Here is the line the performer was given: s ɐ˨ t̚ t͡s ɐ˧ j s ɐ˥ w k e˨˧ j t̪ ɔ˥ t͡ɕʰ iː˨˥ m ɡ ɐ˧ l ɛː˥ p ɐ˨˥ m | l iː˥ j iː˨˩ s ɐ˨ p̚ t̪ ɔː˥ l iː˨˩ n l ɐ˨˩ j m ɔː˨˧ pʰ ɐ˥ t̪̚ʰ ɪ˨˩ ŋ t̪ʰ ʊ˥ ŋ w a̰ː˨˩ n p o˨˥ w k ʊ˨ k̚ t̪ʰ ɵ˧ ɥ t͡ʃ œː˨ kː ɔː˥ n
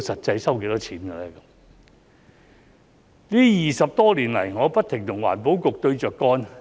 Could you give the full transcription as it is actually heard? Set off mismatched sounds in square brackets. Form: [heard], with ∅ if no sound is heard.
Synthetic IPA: s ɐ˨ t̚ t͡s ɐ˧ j s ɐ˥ w k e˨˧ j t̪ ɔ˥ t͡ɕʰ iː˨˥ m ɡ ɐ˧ l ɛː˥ [k] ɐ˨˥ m | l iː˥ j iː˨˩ s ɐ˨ p̚ t̪ ɔː˥ l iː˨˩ n l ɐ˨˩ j [ŋ] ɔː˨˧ [p] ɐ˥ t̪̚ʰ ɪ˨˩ ŋ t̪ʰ [ʊ˨˩] ŋ w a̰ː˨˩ n p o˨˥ w k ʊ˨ k̚ [t̪] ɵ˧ ɥ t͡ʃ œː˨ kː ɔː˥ n